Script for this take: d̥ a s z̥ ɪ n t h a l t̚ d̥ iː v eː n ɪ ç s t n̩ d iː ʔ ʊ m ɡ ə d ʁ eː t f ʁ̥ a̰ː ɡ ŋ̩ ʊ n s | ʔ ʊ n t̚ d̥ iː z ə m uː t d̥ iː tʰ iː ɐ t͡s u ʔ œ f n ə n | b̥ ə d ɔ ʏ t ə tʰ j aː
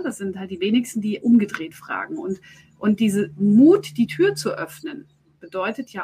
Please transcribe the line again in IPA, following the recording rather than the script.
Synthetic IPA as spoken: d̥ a s z̥ ɪ n t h a l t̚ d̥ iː v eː n ɪ ç s t n̩ d iː ʔ ʊ m ɡ ə d ʁ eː t f ʁ̥ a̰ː ɡ ŋ̩ ʊ n t | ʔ ʊ n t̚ d̥ iː z ə m uː t d̥ iː tʰ yː ɐ t͡s u ʔ œ f n ə n | b̥ ə d ɔ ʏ t ə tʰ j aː